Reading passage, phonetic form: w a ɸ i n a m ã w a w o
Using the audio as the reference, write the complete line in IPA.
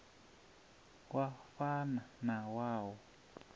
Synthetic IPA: w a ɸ a n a n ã w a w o